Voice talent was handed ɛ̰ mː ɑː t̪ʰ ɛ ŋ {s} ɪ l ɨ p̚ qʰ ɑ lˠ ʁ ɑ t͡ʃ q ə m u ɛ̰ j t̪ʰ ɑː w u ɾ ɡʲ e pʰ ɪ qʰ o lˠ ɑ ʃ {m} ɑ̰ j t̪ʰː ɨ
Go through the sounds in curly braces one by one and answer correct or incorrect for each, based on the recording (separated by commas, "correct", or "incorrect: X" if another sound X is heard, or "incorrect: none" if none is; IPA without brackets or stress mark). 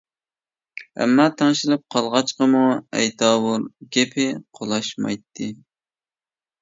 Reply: incorrect: ʃ, correct